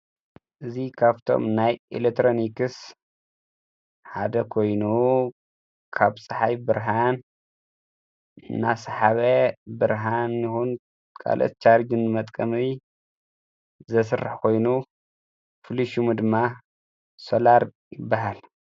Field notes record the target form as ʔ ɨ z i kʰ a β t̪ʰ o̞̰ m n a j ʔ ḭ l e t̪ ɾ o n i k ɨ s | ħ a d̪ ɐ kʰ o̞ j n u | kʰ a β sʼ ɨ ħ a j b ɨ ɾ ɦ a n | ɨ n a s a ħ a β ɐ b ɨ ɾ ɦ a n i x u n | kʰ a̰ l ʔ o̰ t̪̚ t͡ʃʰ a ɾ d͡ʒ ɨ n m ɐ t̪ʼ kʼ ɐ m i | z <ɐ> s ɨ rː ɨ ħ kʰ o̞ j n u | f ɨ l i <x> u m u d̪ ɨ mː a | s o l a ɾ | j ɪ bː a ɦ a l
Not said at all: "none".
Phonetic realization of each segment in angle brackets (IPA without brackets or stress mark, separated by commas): ɐ, ʃ